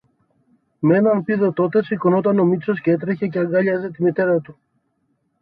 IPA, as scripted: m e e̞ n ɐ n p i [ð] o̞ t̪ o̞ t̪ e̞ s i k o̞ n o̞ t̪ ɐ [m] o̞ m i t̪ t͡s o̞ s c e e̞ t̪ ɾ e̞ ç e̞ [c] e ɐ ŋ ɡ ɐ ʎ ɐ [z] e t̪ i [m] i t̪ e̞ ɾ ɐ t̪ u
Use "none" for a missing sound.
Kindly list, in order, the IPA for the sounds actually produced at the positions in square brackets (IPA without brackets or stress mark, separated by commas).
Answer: ð, n, c, z, m